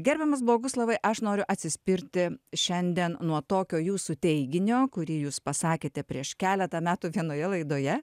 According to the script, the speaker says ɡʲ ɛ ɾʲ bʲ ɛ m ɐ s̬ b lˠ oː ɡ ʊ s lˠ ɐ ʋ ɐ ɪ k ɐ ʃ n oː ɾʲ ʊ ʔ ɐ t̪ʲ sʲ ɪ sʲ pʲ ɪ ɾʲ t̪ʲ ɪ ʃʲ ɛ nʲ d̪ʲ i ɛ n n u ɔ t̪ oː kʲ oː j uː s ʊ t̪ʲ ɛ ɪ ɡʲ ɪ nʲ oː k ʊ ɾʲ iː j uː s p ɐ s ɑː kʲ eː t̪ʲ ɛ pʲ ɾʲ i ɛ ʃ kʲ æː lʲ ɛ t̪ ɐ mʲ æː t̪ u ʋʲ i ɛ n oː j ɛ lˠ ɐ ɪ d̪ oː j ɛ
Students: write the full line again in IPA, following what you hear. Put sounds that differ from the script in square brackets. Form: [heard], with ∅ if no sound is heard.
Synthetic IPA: ɡʲ ɛ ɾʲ bʲ ɛ m ɐ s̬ b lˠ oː ɡ ʊ s lˠ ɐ ʋ ɐ ɪ [ʔ] ɐ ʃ n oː ɾʲ ʊ ʔ ɐ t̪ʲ sʲ ɪ sʲ pʲ ɪ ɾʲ t̪ʲ ɪ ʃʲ ɛ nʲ d̪ʲ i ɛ n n u ɔ t̪ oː kʲ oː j uː s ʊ t̪ʲ ɛ ɪ ɡʲ ɪ nʲ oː k ʊ ɾʲ iː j uː s p ɐ s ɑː kʲ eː t̪ʲ ɛ pʲ ɾʲ i ɛ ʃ kʲ æː lʲ ɛ t̪ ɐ mʲ æː t̪ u ʋʲ i ɛ n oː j ɛ lˠ ɐ ɪ d̪ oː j ɛ